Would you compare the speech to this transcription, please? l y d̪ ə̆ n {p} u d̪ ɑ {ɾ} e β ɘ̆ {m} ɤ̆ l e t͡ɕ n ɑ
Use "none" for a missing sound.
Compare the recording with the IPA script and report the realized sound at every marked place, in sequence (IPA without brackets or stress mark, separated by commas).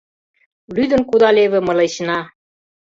k, l, m